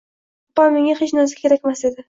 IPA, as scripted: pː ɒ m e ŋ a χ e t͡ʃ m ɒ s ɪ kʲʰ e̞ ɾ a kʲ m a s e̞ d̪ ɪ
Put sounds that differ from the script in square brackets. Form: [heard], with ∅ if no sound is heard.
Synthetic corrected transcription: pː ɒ m e ŋ a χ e t͡ʃ [n] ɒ [z] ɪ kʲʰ e̞ ɾ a kʲ m a s e̞ d̪ ɪ